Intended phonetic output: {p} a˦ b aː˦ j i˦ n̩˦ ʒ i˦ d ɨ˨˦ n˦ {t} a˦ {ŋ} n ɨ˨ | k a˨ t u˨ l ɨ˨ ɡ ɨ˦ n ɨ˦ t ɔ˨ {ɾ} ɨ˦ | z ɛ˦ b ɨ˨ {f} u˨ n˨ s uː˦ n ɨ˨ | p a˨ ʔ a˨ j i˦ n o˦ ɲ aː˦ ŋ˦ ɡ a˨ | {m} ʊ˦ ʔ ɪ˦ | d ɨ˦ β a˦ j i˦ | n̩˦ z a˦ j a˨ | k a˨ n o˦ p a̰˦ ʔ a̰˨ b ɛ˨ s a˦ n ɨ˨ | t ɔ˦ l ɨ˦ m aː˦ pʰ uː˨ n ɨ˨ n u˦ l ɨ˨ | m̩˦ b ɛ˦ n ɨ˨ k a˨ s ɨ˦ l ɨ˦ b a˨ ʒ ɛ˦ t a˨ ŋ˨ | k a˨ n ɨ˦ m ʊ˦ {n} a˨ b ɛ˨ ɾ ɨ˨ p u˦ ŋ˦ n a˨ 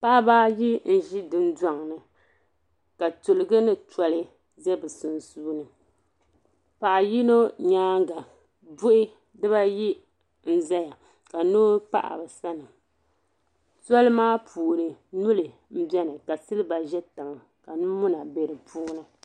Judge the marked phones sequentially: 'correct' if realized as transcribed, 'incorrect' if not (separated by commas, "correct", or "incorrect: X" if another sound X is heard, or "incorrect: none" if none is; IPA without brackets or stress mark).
correct, incorrect: d, correct, incorrect: l, incorrect: s, incorrect: b, correct